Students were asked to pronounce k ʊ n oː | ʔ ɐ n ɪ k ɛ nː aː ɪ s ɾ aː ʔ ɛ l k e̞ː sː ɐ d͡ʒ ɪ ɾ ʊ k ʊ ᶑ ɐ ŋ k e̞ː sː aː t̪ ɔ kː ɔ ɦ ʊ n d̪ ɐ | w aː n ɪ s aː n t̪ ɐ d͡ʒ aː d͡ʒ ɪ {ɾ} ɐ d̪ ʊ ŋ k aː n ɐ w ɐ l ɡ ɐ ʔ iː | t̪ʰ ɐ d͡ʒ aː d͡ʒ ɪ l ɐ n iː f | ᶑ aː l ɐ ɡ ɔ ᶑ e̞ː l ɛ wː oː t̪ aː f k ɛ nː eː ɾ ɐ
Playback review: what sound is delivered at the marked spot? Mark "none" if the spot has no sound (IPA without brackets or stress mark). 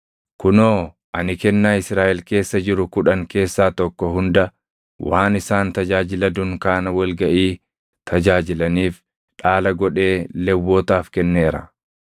l